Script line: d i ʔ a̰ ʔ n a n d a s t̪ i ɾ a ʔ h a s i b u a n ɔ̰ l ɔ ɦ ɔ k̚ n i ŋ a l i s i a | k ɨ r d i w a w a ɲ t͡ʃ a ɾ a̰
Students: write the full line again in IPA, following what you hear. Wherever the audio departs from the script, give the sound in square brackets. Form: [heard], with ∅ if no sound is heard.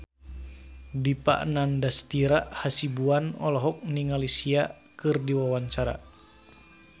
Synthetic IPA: d i [p] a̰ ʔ n a n d a s t̪ i ɾ a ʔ h a s i b u a n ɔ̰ l ɔ ɦ ɔ k̚ n i ŋ a l i s i a | k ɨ r d i w a w a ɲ t͡ʃ a ɾ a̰